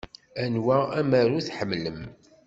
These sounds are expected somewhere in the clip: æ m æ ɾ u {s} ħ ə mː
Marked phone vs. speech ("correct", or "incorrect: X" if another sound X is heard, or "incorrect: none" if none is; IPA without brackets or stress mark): incorrect: θ